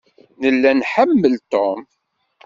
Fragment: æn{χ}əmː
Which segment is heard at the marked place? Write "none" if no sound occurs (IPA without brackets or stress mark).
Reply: ħ